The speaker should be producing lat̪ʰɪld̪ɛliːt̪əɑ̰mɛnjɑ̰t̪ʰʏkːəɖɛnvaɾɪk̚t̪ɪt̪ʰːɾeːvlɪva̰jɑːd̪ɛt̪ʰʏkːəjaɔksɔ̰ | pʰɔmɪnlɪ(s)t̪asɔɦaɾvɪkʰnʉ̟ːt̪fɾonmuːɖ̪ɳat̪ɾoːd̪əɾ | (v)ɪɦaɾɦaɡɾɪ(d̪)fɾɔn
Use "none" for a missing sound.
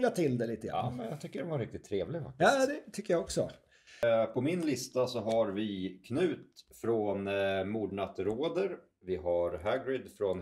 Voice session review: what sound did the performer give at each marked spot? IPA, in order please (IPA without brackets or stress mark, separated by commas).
s, v, d̪